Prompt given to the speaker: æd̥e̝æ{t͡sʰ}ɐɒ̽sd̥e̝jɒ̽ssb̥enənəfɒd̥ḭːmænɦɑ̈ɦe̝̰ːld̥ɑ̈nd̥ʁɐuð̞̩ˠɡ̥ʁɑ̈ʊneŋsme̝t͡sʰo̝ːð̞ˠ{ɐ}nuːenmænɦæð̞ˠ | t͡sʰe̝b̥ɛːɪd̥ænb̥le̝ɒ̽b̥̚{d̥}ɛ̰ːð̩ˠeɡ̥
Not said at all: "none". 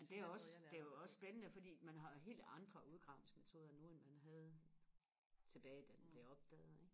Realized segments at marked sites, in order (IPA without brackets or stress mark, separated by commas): none, ɐ, d̥